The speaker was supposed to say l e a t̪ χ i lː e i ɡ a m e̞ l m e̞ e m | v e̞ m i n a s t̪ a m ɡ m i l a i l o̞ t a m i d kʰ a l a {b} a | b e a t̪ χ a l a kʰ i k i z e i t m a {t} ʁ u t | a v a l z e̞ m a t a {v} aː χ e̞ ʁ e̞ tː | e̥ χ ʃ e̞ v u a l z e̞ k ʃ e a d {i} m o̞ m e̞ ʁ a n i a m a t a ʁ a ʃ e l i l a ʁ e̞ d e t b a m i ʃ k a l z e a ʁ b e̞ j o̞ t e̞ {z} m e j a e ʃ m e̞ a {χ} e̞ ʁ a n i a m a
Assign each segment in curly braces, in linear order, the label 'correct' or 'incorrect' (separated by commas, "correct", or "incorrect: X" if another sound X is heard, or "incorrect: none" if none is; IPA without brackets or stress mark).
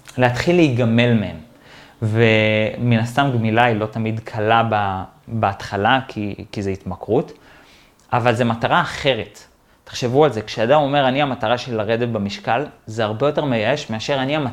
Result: correct, incorrect: k, incorrect: ʁ, incorrect: a, incorrect: ʁ, incorrect: ʃ